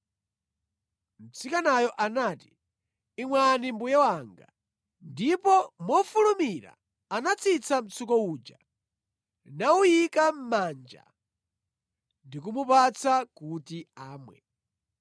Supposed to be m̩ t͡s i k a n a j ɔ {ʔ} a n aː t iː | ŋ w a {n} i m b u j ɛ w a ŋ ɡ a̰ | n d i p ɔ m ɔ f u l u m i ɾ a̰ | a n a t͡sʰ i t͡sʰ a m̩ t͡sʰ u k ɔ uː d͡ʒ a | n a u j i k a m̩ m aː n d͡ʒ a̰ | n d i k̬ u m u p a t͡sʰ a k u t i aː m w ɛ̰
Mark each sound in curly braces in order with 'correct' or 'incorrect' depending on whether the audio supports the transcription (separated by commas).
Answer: correct, correct